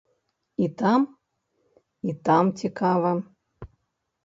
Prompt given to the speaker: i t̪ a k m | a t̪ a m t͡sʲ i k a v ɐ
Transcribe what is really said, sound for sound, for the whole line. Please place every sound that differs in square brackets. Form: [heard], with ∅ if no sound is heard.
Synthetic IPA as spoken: i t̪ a [∅] m | [i] t̪ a m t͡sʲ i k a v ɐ